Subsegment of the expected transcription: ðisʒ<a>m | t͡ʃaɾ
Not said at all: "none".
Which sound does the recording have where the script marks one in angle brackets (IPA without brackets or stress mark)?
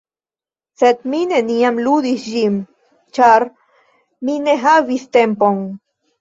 i